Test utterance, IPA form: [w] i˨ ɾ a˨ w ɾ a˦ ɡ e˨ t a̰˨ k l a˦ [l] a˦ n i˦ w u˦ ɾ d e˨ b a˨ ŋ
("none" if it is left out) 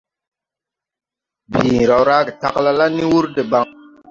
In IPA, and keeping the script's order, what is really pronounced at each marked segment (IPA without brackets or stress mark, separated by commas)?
b, l